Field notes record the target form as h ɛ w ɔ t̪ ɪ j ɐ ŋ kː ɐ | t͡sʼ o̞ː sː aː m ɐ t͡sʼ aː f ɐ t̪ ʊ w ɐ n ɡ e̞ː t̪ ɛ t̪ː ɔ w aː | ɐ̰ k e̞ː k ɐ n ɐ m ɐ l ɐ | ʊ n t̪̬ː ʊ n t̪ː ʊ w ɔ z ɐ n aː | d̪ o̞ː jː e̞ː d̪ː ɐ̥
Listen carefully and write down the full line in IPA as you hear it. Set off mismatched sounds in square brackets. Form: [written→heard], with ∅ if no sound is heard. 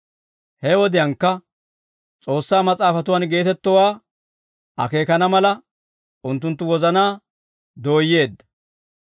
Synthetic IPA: h ɛ w ɔ [t̪→d̪] ɪ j ɐ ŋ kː ɐ | t͡sʼ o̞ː sː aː m ɐ t͡sʼ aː f ɐ t̪ ʊ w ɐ n ɡ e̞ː t̪ ɛ t̪ː ɔ w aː | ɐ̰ k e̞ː k ɐ n ɐ m ɐ l ɐ | ʊ n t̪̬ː ʊ n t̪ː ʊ w ɔ z ɐ n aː | d̪ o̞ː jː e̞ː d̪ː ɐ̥